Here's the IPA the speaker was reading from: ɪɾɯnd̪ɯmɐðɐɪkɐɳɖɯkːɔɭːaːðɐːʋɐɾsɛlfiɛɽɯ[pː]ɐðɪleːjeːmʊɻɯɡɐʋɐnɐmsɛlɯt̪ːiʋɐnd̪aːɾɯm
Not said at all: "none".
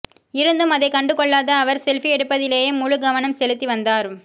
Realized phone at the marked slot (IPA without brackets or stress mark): pː